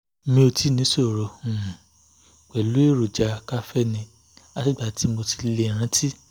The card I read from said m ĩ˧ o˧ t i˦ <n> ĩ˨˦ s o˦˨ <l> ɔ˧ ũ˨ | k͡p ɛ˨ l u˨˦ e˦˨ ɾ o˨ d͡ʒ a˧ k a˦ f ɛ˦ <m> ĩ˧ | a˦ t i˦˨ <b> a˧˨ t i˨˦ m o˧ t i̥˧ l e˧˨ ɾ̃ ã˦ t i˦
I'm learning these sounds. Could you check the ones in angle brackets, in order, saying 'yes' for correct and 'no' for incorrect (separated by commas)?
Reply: yes, no, no, no